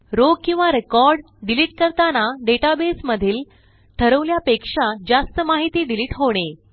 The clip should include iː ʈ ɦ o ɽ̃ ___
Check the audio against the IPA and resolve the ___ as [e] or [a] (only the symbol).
e